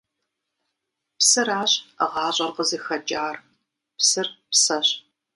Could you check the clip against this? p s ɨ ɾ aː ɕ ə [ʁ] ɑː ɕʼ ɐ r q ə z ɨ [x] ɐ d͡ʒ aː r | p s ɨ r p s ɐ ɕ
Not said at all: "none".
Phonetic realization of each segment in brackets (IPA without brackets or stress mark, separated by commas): ʁ, x